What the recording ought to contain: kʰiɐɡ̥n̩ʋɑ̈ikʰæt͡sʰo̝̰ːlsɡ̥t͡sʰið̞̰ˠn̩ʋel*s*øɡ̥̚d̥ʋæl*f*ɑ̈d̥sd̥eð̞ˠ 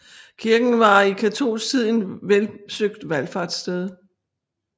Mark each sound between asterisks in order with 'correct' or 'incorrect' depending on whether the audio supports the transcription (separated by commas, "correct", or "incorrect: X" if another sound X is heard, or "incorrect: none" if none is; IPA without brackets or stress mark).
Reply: correct, correct